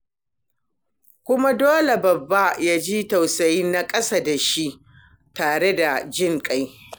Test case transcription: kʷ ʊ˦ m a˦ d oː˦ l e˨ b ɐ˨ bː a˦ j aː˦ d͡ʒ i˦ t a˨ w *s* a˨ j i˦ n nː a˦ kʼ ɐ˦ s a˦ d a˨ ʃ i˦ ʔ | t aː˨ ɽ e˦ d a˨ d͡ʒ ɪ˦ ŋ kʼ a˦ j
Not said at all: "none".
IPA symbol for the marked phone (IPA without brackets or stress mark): s